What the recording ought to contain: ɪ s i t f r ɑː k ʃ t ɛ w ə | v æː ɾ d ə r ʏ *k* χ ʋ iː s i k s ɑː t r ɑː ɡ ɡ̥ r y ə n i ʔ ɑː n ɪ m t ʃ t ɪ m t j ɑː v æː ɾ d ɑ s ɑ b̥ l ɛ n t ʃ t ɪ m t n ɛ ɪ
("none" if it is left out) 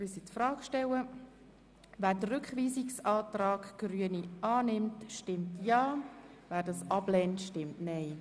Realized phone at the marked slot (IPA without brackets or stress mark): k